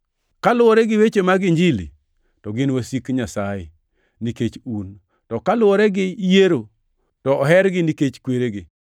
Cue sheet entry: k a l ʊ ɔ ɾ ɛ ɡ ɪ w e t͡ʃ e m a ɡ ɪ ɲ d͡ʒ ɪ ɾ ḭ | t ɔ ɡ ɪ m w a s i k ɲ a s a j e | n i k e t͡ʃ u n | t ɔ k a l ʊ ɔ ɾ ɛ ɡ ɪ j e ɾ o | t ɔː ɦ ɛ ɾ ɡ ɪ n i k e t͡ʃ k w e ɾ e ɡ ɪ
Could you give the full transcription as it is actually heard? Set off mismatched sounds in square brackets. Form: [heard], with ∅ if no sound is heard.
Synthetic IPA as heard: k a l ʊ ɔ ɾ ɛ ɡ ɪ w e t͡ʃ e m a ɡ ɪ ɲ d͡ʒ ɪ [l] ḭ | t ɔ ɡ ɪ [n] w a s i k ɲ a s a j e | n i k e t͡ʃ u n | t ɔ k a l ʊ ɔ ɾ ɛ ɡ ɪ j e ɾ o | t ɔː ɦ ɛ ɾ ɡ ɪ n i k e t͡ʃ k w e ɾ e ɡ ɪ